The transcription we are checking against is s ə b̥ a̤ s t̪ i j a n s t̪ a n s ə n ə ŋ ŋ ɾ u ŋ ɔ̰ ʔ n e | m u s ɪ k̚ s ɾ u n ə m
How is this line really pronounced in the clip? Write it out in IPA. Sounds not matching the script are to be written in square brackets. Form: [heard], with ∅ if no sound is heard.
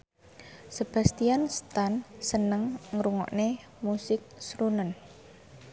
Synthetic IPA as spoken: s ə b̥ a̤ s t̪ i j a n s t̪ a n s ə n ə ŋ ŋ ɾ u ŋ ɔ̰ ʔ n e | m u s ɪ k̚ s ɾ u n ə [n]